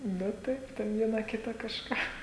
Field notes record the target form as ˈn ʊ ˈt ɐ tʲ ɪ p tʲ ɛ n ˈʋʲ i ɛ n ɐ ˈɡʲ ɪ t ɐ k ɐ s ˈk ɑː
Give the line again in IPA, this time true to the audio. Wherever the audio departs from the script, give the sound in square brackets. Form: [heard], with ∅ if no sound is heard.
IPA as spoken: ˈn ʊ ˈt ɐ [∅] ɪ p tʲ ɛ n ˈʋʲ i ɛ n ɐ [ˈkʲ] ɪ t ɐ k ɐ [ʃ] ˈk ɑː